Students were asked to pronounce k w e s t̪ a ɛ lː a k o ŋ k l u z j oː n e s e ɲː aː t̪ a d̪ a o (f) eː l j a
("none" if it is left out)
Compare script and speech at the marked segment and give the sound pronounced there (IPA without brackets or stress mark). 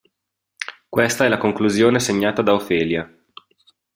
f